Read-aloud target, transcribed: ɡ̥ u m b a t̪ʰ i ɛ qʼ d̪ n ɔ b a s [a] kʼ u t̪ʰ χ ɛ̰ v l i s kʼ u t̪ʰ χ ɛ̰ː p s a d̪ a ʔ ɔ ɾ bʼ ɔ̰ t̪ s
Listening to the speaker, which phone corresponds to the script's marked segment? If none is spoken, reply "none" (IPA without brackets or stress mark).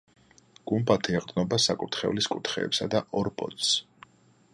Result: a